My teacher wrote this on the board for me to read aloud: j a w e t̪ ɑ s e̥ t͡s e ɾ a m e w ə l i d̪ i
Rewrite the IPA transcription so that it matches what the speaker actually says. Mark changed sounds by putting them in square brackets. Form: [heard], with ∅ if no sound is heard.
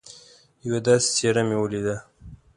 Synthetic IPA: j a w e [d̪] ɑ s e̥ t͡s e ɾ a m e w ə l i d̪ [a]